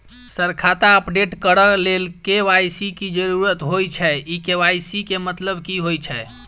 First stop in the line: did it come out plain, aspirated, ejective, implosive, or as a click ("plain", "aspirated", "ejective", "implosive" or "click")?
aspirated